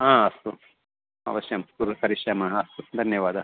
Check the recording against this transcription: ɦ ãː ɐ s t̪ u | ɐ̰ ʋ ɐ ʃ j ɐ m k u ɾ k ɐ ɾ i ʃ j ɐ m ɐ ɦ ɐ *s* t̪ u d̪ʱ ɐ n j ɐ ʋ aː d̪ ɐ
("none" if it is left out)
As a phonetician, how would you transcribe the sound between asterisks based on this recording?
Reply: s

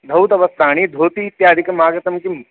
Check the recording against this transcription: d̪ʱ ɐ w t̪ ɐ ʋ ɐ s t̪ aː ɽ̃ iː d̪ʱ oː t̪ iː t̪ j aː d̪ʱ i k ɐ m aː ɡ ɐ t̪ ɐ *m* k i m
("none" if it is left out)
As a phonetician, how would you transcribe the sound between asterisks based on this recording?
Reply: m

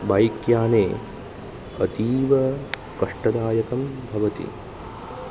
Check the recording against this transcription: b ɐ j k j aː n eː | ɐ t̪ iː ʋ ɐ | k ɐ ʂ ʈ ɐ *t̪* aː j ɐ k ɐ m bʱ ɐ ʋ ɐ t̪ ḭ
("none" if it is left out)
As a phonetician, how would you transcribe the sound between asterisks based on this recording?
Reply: d̪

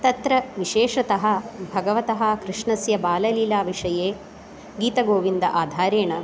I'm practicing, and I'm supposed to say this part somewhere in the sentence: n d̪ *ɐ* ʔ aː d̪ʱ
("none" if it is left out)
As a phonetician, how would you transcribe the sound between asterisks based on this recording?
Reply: ɐ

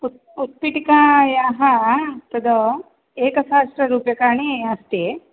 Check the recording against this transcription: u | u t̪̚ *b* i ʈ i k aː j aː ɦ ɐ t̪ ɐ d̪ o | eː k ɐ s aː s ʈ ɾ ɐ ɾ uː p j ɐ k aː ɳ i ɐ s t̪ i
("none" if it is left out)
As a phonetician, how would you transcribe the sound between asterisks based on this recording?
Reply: p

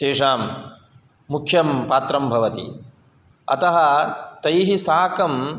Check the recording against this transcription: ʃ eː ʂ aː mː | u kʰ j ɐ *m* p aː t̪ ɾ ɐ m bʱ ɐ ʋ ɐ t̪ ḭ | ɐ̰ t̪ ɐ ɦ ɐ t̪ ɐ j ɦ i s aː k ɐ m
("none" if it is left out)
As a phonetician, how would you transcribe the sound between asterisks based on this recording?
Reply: m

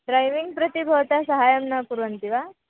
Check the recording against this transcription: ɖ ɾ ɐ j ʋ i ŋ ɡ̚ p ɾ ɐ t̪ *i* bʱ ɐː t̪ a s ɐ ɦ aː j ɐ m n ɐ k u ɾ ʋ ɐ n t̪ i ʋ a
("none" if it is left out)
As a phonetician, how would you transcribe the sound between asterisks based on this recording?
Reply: i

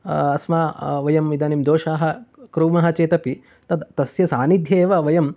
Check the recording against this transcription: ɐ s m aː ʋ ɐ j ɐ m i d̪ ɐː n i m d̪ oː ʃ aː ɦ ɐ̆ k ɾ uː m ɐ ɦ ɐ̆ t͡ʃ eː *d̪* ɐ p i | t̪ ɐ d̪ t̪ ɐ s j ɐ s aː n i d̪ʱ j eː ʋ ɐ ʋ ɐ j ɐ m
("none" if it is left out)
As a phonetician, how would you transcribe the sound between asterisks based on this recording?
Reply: t̪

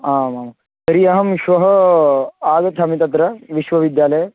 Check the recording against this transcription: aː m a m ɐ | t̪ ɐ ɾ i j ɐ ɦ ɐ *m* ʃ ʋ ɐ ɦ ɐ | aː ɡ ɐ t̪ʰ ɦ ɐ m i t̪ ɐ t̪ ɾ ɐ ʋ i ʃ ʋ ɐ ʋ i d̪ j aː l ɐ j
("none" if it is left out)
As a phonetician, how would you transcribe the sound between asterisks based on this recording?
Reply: m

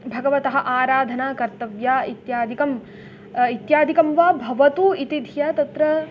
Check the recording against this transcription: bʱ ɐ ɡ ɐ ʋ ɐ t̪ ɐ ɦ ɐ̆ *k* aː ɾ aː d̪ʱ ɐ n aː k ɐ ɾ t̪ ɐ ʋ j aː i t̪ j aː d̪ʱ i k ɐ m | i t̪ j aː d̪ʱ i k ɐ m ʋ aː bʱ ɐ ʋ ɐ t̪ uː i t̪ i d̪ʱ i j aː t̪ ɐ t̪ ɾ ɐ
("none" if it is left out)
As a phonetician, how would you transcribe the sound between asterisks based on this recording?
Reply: ʔ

